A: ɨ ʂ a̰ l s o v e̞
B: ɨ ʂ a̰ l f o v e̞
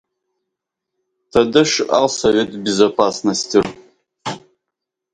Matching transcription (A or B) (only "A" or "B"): A